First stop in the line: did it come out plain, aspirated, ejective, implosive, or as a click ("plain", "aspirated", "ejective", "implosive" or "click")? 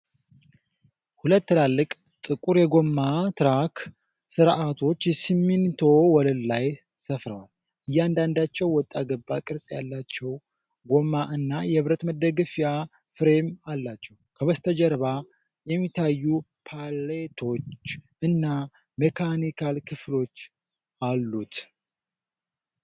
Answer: plain